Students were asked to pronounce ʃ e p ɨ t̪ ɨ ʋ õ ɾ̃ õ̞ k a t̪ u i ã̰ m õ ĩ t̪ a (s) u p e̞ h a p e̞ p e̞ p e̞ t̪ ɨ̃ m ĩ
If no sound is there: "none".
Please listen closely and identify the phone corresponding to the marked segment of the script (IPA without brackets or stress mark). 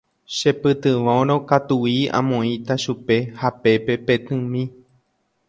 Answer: ʃ